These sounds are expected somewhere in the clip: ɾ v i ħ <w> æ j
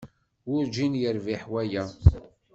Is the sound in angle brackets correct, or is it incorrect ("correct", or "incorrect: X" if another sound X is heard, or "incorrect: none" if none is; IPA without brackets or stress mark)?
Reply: correct